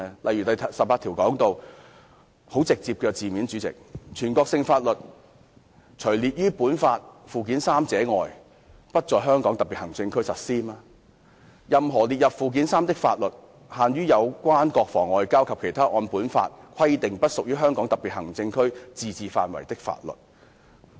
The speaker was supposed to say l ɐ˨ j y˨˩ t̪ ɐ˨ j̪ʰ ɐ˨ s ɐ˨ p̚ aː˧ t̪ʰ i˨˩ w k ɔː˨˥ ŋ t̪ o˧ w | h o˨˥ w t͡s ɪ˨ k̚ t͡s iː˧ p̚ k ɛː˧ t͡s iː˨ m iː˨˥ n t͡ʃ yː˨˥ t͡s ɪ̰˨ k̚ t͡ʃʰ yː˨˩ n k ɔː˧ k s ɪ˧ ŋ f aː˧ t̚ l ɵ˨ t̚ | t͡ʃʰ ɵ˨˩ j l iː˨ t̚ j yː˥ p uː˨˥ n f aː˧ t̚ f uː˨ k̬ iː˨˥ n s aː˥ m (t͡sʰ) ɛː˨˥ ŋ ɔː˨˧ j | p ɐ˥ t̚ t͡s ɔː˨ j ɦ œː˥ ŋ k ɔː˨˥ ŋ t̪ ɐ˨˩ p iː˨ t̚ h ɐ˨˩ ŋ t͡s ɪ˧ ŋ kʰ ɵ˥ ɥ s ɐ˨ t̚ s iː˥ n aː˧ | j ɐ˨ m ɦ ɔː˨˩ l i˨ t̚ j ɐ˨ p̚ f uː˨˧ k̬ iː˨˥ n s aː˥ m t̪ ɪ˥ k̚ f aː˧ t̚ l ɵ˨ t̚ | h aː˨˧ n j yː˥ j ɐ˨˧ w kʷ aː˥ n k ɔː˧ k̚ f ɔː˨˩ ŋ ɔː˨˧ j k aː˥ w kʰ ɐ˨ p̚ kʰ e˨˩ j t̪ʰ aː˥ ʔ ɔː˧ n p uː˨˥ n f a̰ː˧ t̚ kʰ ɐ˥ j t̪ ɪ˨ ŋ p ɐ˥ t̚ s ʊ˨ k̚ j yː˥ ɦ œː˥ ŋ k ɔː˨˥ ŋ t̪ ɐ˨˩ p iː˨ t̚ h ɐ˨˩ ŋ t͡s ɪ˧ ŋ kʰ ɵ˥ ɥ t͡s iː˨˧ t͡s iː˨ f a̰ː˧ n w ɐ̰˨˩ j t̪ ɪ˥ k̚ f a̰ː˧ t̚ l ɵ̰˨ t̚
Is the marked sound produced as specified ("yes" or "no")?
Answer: no